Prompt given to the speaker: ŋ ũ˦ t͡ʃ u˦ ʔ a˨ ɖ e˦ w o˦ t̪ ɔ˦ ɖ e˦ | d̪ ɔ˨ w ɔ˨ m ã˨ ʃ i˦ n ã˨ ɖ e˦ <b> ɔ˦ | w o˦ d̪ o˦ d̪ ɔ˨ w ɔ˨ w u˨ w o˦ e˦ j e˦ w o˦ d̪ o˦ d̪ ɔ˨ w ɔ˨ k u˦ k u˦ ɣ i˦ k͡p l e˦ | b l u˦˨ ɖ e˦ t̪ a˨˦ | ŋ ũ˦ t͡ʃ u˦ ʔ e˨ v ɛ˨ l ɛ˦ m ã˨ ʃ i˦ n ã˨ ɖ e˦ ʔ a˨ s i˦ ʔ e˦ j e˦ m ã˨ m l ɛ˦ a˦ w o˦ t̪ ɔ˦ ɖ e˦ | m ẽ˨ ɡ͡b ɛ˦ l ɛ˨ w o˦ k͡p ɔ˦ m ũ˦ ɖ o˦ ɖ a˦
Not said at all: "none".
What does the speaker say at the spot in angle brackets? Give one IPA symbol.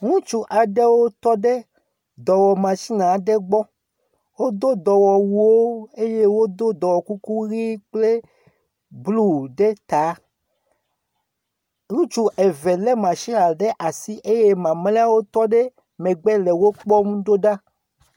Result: ɡ͡b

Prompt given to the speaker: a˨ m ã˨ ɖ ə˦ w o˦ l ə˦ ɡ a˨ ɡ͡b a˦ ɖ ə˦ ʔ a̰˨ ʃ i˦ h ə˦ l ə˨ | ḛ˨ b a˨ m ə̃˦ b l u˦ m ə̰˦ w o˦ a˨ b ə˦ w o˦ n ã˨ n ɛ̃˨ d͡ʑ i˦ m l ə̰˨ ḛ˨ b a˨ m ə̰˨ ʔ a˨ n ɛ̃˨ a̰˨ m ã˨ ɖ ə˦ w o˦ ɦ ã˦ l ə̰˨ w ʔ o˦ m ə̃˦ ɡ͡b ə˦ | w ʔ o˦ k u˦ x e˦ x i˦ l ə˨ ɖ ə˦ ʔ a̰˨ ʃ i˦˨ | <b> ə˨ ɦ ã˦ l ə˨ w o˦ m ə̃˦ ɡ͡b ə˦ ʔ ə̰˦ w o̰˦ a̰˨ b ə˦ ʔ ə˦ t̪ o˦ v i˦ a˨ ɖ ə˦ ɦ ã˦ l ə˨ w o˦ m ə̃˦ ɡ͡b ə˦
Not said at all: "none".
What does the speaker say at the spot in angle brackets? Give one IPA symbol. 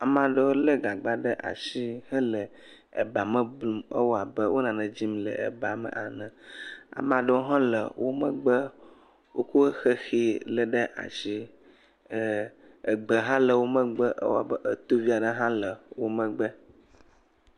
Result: ɡ͡b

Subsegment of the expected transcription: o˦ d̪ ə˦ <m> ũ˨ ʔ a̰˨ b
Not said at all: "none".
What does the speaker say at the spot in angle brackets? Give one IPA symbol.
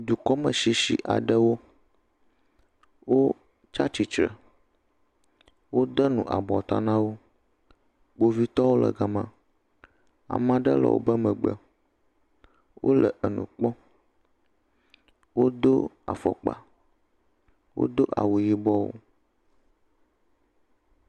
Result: n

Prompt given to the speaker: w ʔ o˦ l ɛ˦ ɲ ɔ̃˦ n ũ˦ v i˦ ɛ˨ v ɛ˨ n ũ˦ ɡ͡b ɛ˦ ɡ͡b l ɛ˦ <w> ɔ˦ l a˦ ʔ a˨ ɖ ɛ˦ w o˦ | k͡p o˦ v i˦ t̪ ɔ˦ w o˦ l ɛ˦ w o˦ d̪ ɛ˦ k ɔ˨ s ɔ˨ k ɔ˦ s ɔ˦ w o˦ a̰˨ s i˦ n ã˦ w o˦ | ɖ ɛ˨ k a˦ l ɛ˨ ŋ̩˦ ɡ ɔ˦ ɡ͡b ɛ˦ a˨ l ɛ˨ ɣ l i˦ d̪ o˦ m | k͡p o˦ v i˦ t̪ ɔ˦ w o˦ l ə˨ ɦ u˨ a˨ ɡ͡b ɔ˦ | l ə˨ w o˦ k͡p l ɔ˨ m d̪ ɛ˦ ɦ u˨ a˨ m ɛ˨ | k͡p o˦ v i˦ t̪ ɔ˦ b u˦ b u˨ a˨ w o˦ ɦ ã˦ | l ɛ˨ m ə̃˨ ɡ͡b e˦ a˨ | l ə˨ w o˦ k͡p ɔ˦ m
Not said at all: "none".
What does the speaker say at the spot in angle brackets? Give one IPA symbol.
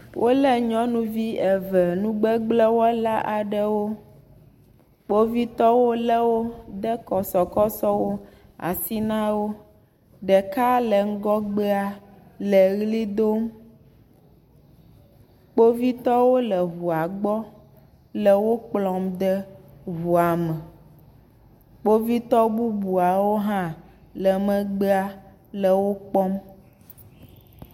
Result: w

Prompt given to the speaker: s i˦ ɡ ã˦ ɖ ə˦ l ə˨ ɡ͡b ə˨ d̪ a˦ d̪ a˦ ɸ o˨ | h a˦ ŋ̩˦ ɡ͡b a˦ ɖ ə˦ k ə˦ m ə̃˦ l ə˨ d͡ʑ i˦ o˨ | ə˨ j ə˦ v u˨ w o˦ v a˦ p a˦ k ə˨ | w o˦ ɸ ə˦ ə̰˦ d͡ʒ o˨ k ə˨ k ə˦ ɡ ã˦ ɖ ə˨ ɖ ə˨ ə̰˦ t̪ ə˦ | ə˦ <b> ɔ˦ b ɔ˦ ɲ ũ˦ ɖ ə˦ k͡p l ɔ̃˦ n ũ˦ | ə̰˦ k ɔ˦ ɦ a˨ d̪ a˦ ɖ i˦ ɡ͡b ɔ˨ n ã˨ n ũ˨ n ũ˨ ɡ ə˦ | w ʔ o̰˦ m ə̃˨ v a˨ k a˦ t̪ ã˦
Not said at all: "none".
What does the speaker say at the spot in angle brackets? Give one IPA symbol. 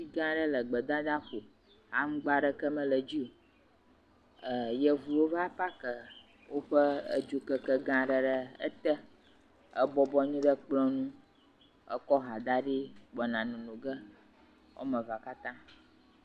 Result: b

